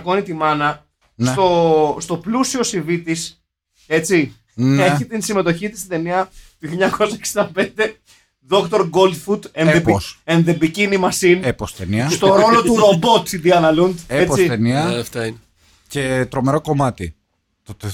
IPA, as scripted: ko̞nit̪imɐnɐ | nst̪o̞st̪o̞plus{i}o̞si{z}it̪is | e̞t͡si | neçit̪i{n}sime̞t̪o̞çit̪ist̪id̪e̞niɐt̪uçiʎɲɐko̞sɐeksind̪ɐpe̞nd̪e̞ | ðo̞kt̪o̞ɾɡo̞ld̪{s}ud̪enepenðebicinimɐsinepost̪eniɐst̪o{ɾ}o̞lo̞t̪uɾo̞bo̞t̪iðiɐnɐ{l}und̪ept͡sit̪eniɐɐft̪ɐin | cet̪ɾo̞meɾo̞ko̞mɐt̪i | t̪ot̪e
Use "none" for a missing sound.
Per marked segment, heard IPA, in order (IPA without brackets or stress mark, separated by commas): i, v, n, f, ɾ, l